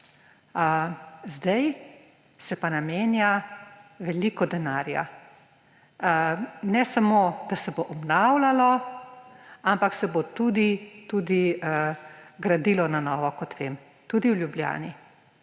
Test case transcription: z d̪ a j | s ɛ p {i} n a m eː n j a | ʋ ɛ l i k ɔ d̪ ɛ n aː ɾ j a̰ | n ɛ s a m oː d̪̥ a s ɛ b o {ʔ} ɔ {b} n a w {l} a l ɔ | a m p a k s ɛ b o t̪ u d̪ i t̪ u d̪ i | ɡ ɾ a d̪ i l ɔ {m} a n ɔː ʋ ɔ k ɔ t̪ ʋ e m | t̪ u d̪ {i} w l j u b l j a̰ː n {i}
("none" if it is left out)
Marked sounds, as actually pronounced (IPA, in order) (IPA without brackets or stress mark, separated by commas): a, ʔ, b, l, n, i, i